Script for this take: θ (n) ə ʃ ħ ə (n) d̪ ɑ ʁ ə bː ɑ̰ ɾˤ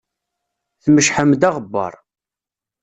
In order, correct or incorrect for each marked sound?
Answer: incorrect, incorrect

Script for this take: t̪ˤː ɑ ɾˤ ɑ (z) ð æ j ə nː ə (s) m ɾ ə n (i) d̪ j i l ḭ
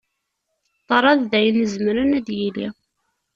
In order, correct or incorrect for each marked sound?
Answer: incorrect, incorrect, incorrect

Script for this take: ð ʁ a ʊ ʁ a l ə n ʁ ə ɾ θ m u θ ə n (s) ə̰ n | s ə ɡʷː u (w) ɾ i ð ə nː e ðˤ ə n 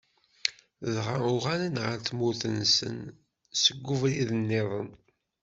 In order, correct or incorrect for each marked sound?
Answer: correct, incorrect

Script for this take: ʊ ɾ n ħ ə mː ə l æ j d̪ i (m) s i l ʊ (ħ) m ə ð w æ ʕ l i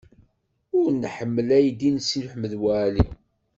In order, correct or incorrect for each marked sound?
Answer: incorrect, correct

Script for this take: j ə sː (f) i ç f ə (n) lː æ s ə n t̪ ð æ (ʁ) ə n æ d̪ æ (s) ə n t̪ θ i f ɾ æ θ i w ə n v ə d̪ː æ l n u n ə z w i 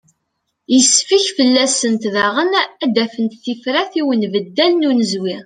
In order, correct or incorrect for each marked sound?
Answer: correct, incorrect, correct, incorrect

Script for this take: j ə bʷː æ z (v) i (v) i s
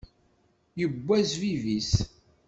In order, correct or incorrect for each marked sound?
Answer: correct, correct

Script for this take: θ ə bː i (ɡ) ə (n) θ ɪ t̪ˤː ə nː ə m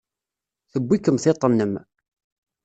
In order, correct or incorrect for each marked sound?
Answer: incorrect, incorrect

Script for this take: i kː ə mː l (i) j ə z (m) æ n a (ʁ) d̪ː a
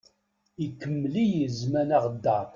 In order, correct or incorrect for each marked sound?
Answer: correct, correct, correct

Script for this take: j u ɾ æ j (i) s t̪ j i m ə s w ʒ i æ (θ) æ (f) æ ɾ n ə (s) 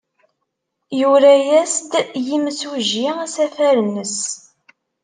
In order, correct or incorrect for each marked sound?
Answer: incorrect, incorrect, correct, correct

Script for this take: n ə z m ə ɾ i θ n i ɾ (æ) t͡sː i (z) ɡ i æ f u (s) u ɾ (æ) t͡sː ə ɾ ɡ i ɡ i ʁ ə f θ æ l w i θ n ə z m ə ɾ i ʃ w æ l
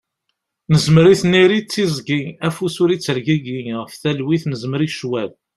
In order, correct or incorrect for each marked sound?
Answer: incorrect, correct, correct, incorrect

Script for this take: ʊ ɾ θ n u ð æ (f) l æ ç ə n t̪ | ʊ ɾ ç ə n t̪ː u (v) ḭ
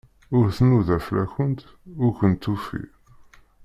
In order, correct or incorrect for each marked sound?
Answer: correct, incorrect

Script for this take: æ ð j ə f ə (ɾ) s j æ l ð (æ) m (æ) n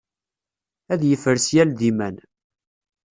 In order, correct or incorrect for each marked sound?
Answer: correct, incorrect, correct

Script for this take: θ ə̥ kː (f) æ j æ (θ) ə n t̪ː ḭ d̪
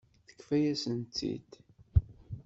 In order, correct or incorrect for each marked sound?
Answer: correct, incorrect

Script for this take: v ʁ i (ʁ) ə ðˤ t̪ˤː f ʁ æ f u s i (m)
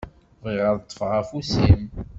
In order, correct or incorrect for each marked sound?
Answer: correct, correct

